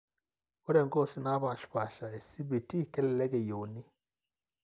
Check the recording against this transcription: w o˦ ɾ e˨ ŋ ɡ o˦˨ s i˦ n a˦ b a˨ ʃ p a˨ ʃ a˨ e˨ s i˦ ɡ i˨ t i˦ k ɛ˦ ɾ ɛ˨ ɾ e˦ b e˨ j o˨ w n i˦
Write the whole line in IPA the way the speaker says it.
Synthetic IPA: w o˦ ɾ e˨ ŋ ɡ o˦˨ s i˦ n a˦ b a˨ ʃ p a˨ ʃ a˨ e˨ s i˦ b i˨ t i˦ k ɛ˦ l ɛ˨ l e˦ ɡ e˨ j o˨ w n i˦